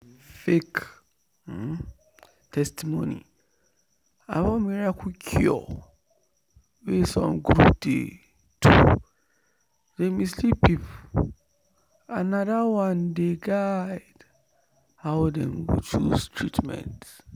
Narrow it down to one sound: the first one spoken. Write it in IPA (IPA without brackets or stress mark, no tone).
f